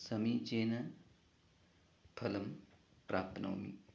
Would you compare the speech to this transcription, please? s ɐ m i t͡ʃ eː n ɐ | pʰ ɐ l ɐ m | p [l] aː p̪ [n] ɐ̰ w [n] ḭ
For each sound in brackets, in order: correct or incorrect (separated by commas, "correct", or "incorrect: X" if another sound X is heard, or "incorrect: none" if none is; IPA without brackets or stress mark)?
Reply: incorrect: ɾ, correct, incorrect: m